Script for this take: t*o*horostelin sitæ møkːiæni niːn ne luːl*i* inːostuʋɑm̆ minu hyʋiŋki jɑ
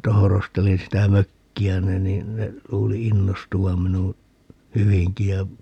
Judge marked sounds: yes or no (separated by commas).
yes, yes